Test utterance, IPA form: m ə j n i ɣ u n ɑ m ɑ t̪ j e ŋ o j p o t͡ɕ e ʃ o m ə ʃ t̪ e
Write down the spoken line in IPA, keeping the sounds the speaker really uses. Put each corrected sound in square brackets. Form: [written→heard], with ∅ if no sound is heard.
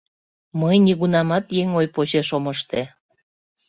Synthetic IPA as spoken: m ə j n i ɣ u n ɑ m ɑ t̪ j e ŋ o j p o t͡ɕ e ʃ o m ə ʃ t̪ e